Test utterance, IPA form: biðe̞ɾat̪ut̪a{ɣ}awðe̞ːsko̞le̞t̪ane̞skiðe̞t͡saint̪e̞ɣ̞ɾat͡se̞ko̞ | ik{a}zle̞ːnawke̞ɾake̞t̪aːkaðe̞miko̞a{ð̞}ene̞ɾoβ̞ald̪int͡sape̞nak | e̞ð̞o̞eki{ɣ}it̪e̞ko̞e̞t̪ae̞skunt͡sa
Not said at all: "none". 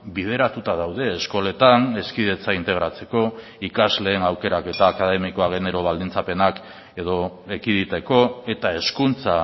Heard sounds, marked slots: ð, a, ɣ̞, ð

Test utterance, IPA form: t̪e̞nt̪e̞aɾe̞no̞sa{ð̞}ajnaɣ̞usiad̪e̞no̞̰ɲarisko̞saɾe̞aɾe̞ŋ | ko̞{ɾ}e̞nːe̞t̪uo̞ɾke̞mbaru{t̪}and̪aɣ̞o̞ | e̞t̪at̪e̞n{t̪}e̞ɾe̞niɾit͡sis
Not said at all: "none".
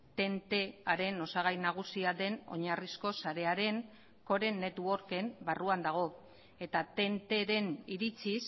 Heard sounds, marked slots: ɣ̞, ɾ, none, t̪

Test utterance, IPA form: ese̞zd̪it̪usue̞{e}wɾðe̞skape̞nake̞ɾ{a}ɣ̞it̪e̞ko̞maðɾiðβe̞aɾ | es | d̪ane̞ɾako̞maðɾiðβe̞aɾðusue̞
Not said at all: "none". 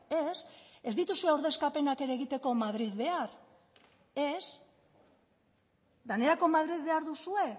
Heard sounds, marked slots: a, e

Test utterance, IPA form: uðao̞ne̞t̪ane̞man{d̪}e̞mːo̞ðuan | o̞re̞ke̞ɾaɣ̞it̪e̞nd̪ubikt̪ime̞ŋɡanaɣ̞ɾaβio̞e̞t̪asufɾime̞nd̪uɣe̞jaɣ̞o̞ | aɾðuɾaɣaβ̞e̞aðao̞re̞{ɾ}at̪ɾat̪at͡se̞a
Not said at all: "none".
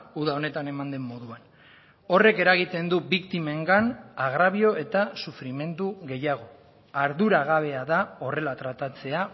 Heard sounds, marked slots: d̪, l

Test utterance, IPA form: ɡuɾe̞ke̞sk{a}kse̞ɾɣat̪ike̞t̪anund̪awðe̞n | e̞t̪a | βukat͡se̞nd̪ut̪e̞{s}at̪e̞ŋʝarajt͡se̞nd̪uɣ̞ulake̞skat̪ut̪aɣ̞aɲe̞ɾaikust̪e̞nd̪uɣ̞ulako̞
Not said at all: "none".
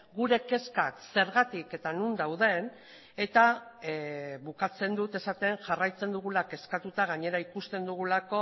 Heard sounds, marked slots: a, s

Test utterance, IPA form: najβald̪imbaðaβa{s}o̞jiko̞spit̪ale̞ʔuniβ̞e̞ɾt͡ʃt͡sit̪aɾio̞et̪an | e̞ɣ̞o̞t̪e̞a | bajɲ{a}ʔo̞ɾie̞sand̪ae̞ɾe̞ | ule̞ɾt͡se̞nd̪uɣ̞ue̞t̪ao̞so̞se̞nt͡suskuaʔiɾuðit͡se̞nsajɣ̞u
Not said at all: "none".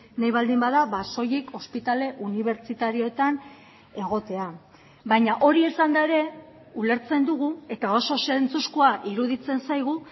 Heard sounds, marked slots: s, a

